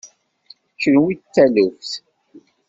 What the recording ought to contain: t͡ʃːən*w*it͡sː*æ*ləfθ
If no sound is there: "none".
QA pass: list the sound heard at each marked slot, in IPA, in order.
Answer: w, æ

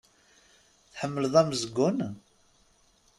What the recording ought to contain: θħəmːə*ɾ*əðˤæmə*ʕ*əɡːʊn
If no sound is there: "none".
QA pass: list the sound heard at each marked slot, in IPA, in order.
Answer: l, z

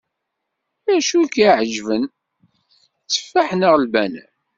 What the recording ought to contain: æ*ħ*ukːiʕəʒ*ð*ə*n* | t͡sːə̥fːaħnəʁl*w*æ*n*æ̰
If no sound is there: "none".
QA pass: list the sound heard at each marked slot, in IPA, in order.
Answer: ʃ, v, n, b, n

